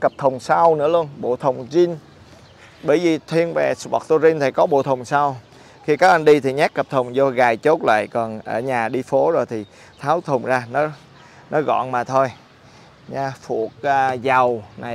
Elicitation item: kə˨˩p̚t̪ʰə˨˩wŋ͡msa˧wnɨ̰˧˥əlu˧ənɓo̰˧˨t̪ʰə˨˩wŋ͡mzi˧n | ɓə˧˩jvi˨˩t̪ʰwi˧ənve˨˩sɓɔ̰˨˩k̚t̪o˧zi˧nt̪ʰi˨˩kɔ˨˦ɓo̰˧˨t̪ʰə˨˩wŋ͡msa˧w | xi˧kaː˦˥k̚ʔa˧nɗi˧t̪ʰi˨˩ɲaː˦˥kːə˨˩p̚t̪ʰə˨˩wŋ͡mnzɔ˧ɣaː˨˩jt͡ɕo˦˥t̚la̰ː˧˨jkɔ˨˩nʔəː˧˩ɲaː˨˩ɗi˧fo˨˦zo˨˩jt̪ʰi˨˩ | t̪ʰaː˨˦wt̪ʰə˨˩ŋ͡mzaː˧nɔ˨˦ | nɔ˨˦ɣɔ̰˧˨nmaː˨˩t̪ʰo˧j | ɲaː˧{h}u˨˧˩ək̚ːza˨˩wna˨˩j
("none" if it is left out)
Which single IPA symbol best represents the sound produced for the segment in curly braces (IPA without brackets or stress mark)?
f